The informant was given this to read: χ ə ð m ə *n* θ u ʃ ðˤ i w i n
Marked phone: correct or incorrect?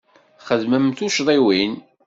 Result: incorrect